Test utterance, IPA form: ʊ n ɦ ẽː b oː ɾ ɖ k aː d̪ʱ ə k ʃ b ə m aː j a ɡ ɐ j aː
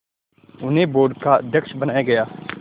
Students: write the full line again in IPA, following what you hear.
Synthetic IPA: ʊ n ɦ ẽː b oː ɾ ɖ k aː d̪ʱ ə k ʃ b ə n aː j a ɡ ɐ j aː

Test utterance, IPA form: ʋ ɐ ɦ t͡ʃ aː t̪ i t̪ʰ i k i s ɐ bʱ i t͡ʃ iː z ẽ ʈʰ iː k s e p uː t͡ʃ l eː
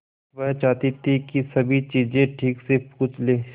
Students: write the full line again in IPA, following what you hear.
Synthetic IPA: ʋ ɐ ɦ t͡ʃ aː t̪ i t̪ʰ i k i s ɐ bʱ i t͡ʃ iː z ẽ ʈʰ iː k s e p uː t͡ʃ l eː

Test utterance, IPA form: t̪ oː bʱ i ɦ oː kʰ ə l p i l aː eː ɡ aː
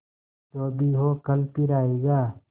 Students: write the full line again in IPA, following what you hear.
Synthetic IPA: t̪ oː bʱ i ɦ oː k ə l p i ɾ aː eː ɡ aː

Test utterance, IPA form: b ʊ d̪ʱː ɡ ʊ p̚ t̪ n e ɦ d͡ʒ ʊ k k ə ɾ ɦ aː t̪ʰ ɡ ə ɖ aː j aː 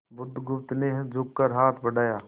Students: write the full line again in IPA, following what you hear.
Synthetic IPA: b ʊ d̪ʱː ɡ ʊ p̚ t̪ n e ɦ d͡ʒ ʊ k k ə ɾ ɦ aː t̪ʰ b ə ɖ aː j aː

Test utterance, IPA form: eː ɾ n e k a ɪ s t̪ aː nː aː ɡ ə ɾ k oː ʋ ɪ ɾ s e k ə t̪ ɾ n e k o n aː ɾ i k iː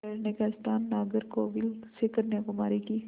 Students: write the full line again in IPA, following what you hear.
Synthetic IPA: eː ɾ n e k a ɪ s t̪ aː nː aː ɡ ə ɾ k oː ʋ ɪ l s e k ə ɾ n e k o m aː ɾ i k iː

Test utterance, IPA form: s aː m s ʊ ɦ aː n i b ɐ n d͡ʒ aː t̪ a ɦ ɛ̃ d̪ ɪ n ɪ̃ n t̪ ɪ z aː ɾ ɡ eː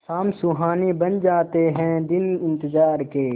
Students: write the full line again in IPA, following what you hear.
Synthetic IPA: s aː m s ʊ ɦ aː n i b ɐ n d͡ʒ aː t̪ e ɦ ɛ̃ d̪ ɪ n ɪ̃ n t̪ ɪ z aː ɾ k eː

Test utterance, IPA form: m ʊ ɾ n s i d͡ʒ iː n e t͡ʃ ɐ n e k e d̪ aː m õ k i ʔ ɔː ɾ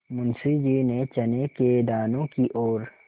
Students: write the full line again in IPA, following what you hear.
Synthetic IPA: m ʊ n s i d͡ʒ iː n e t͡ʃ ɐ n e k e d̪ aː n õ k i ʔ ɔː ɾ

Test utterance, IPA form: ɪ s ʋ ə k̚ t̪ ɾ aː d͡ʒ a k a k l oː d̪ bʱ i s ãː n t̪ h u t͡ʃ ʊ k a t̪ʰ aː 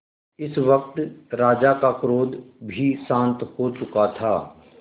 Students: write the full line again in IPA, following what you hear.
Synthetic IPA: ɪ s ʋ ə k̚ t̪ ɾ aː d͡ʒ a k a k ɾ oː d̪ bʱ i s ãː n t̪ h o t͡ʃ ʊ k a t̪ʰ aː

